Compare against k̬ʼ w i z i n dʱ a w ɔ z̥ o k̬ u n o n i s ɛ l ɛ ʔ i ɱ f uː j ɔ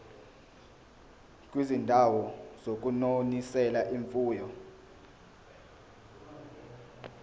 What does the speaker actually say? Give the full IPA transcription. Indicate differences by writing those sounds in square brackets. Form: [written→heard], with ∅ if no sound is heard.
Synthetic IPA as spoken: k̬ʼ w i z i n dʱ a w ɔ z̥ o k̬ u n o n i s ɛ l [ɛ→a] ʔ i ɱ f uː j ɔ